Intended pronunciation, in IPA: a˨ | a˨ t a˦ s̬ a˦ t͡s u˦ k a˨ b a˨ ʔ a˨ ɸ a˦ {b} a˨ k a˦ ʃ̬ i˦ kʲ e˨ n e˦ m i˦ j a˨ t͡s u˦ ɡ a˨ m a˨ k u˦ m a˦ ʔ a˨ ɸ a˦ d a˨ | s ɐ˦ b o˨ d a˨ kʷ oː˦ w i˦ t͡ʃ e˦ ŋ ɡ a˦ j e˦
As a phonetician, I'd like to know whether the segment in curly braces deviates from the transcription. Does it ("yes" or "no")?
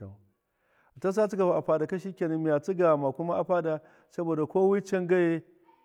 yes